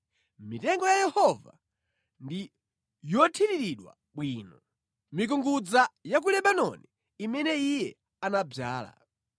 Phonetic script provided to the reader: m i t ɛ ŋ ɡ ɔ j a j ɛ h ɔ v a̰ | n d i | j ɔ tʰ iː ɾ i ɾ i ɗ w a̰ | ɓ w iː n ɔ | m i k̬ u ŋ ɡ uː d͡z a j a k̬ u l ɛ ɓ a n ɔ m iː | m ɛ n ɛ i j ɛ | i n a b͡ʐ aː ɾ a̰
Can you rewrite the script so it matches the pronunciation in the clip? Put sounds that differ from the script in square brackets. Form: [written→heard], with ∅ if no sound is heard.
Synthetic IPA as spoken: m i t ɛ ŋ ɡ ɔ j a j ɛ h ɔ v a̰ | n d i | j ɔ tʰ [iː→i] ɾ i ɾ i ɗ w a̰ | ɓ w iː n ɔ | m i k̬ u ŋ ɡ [uː→u] d͡z a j a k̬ u l ɛ ɓ a n ɔ [m→n] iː | m ɛ n ɛ i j ɛ | [i→a] n a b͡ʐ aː [ɾ→l] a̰